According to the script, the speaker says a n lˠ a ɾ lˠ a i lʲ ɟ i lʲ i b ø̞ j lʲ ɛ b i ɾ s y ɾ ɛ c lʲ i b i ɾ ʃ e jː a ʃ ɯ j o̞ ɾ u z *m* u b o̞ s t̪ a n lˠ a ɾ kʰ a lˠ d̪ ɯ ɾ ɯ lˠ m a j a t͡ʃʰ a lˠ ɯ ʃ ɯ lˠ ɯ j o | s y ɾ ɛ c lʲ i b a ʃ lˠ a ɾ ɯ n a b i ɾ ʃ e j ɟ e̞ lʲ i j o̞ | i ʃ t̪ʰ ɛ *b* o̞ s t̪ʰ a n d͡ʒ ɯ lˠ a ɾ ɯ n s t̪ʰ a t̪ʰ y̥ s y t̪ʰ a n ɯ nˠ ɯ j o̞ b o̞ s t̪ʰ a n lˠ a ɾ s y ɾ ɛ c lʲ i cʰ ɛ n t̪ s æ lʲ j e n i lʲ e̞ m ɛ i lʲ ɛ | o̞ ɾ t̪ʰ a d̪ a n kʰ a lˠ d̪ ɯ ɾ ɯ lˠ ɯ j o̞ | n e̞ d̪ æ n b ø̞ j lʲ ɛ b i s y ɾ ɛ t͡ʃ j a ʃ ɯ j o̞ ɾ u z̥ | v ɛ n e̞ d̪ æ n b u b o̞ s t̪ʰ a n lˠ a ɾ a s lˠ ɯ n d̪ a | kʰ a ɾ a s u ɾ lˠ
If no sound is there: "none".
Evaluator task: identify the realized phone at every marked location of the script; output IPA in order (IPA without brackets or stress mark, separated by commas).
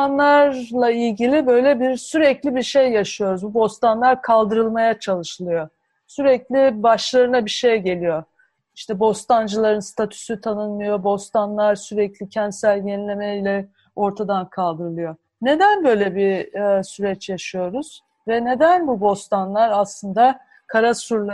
b, b